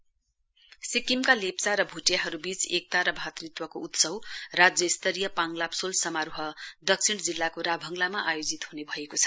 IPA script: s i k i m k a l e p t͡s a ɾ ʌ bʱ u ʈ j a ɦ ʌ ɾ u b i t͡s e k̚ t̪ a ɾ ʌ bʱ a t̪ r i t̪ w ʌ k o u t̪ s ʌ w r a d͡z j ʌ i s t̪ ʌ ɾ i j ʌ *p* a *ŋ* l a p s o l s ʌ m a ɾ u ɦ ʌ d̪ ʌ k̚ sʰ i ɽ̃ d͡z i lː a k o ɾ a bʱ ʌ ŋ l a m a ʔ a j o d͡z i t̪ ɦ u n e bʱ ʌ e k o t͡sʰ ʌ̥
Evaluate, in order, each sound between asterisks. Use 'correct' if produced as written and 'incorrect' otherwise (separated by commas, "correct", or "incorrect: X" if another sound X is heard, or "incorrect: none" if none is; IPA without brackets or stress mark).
correct, correct